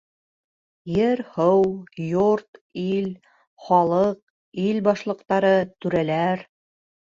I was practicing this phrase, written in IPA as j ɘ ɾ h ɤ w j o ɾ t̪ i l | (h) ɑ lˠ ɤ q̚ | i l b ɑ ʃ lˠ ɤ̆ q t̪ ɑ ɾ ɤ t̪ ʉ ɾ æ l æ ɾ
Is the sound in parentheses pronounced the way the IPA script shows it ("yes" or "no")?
no